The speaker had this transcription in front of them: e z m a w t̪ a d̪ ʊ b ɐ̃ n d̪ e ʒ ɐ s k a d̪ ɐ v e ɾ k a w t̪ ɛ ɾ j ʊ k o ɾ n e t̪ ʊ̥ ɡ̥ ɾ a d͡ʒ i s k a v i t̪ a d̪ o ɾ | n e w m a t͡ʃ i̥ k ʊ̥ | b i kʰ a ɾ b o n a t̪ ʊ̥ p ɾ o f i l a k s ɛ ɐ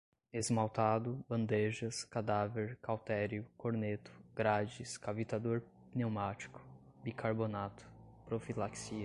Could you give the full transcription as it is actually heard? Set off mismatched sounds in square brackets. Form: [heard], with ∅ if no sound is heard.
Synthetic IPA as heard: e z m a w t̪ a d̪ ʊ b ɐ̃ n d̪ e ʒ ɐ s k a d̪ [a] v e ɾ k a w t̪ ɛ ɾ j ʊ k o ɾ n e t̪ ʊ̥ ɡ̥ ɾ a d͡ʒ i s k a v i t̪ a d̪ o ɾ | n e w m a t͡ʃ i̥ k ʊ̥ | b i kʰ a ɾ b o n a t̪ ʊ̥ p ɾ o f i l a k s [i] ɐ